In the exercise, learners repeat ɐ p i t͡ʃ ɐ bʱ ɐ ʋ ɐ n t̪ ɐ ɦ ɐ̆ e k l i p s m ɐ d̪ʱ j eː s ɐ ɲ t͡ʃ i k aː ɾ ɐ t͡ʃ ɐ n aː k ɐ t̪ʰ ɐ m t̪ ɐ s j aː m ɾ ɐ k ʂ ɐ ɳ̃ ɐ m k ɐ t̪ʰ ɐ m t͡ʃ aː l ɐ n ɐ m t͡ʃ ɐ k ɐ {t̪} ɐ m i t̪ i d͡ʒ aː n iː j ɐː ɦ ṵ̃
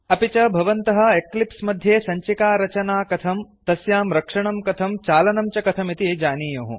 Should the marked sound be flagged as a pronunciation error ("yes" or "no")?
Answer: yes